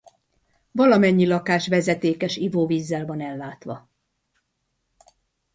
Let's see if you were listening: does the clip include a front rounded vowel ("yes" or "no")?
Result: no